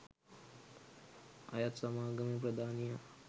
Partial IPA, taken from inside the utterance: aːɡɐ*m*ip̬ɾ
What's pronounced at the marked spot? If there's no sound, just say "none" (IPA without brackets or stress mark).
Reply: m